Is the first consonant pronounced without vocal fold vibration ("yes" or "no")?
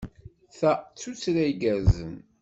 yes